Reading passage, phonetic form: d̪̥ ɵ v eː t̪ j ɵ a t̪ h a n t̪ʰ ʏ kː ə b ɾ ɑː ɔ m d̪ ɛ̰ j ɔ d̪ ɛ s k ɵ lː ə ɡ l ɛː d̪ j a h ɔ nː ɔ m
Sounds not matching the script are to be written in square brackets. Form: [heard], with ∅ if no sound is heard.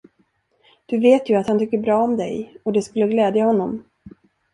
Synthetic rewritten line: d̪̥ ɵ v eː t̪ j ɵ a t̪ h a n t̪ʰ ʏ kː ə b ɾ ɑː ɔ m d̪ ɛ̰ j ɔ d̪ ɛ s k ɵ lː ə ɡ l ɛː d̪ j a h ɔ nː ɔ m